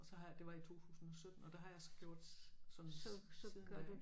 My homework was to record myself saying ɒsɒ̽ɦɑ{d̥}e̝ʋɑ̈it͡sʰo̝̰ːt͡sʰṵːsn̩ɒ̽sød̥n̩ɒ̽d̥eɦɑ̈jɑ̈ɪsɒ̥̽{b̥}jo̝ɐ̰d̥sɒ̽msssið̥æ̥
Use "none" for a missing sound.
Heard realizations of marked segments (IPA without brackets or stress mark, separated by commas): d̥, ɡ̥